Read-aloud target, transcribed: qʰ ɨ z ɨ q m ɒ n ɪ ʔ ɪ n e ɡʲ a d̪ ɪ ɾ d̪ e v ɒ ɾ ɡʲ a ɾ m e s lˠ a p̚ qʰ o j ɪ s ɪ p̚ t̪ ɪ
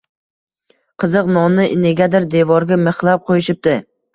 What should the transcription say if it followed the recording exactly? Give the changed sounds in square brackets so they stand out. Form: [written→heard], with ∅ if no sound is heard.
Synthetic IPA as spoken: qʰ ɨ z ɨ q [m→n] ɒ n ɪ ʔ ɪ n e ɡʲ a d̪ ɪ ɾ d̪ e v ɒ ɾ ɡʲ a [ɾ→∅] m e [s→χ] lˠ a p̚ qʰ o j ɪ [s→ʃ] ɪ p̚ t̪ ɪ